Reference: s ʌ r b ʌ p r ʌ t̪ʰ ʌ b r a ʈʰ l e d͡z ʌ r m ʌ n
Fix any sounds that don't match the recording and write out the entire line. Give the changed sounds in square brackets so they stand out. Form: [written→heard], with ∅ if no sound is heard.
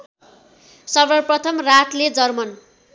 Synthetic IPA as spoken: s ʌ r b ʌ p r ʌ t̪ʰ ʌ [b→m] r a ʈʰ l e d͡z ʌ r m ʌ n